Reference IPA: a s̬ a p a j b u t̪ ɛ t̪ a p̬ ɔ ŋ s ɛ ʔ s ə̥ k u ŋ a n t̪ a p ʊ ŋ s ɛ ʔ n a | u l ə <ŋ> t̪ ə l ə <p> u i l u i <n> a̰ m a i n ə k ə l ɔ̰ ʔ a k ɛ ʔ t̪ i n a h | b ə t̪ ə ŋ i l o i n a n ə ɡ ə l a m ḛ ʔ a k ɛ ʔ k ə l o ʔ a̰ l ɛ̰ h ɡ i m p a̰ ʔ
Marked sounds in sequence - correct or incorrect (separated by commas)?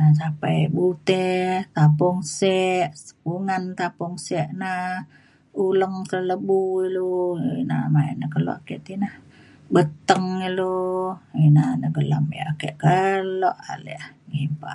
correct, incorrect, correct